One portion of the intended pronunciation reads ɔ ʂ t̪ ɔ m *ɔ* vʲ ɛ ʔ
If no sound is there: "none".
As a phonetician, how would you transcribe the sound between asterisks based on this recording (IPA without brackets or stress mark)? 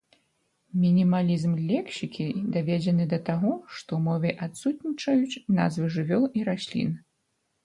ɔ